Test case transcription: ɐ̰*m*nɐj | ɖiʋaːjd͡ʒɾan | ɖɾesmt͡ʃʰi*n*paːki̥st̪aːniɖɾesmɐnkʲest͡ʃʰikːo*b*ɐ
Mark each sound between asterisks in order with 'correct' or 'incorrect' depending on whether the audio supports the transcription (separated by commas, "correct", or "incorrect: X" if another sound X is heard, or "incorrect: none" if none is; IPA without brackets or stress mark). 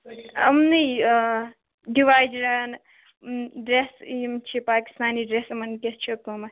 correct, incorrect: none, incorrect: m